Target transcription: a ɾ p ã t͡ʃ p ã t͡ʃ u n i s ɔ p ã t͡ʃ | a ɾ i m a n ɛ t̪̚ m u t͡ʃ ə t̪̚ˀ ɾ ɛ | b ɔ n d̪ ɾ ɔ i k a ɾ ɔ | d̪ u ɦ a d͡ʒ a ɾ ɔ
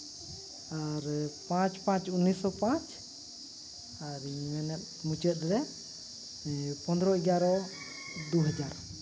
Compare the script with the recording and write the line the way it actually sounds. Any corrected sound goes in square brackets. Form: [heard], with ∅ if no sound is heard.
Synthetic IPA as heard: a ɾ p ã t͡ʃ p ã t͡ʃ u n i s ɔ p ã t͡ʃ | a ɾ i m [ɛ] n ɛ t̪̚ m u t͡ʃ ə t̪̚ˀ ɾ ɛ | [p] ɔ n d̪ ɾ ɔ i [ɡ] a ɾ ɔ | d̪ u ɦ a d͡ʒ a ɾ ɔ